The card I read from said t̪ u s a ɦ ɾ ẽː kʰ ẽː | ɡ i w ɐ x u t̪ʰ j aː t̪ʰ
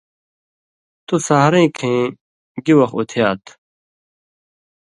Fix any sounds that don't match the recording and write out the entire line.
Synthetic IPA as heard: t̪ u s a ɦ ɾ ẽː kʰ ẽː | ɡ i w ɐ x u t̪ʰ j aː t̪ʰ